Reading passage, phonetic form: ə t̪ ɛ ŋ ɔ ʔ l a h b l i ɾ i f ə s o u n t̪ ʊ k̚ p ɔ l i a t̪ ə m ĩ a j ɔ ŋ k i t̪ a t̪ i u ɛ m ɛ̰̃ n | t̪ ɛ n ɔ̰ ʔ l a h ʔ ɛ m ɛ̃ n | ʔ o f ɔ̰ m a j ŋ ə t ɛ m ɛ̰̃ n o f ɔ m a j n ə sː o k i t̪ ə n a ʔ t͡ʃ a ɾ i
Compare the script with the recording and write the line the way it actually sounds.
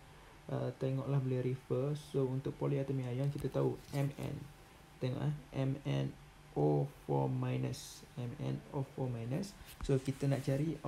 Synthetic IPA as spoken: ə t̪ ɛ ŋ ɔ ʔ l a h b l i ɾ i f ə s o u n t̪ ʊ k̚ p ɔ l i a t̪ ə m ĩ a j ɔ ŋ k i t̪ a t̪ a u ɛ m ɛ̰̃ n | t̪ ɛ ŋ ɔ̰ ʔ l a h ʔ ɛ m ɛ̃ n | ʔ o f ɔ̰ m a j n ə s ɛ m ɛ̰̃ n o f ɔ m a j n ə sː o k i t̪ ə n a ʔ t͡ʃ a ɾ i